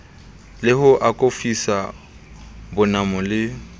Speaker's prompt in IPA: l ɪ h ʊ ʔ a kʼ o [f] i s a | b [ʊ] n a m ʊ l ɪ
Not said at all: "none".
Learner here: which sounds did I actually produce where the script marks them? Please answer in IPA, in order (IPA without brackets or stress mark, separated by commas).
f, ʊ